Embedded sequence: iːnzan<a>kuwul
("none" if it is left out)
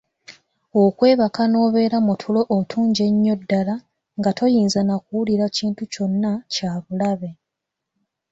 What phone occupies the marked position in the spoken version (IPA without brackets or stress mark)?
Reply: a